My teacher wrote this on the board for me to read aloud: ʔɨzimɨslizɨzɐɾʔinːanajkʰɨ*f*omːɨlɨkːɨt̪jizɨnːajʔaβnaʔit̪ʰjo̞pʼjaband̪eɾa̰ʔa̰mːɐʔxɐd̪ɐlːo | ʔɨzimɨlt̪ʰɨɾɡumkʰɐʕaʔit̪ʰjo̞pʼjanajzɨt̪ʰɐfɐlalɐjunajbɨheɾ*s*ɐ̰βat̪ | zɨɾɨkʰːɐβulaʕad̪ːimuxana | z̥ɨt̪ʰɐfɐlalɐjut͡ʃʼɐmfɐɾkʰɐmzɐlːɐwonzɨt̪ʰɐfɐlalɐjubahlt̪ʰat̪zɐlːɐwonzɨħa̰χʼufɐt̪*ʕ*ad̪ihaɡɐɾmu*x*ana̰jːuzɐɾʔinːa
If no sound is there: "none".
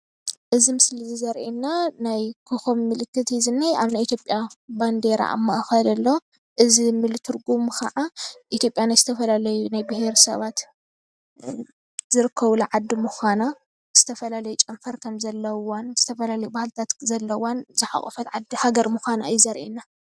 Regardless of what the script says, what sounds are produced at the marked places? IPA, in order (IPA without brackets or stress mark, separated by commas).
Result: x, s, ʕ, x